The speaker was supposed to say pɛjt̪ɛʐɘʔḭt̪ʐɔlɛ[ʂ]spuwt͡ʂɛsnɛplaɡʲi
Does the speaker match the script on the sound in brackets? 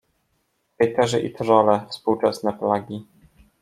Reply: no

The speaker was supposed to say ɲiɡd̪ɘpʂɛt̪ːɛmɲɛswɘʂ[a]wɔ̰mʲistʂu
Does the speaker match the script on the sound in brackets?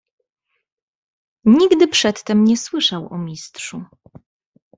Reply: yes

